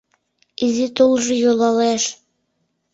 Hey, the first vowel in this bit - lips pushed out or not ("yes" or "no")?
no